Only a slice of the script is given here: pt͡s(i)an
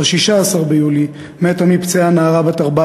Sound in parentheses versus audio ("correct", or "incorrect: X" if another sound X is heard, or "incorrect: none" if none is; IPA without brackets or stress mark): incorrect: e